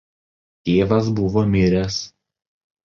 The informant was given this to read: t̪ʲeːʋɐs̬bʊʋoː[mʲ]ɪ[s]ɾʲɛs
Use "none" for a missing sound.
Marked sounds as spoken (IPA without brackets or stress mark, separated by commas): mʲ, none